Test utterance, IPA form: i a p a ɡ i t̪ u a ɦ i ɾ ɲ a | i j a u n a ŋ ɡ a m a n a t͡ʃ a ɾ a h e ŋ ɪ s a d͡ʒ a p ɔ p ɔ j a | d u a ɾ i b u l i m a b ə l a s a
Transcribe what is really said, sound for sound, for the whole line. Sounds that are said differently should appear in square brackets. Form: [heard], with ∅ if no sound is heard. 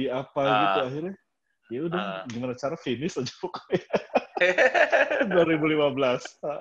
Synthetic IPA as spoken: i a p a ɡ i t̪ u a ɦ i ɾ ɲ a | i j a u [d] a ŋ ɡ [i] m a n a t͡ʃ a ɾ a [f] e [n] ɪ s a d͡ʒ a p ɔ [k] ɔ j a | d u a ɾ i b u l i m a b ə l a s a